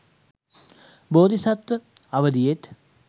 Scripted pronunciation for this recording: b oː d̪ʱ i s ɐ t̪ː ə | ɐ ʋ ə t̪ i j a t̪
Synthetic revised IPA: b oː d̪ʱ i s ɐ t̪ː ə | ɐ ʋ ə d̪ i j e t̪